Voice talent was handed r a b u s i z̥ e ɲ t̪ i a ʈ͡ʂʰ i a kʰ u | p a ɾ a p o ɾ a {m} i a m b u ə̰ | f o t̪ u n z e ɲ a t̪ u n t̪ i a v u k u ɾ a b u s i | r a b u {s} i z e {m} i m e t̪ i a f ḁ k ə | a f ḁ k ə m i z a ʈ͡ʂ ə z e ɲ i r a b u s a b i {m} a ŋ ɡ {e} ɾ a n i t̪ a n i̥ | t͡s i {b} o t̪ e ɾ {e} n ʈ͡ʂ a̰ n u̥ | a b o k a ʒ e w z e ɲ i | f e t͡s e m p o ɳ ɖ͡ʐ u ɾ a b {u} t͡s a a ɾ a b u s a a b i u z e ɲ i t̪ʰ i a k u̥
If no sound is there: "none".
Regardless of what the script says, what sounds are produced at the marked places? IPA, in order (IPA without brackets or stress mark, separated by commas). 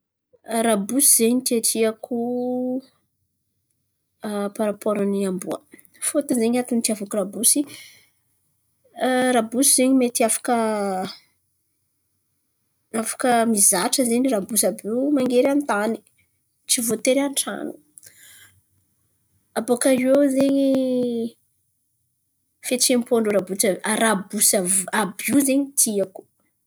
n, s, ɲ, m, e, v, a, u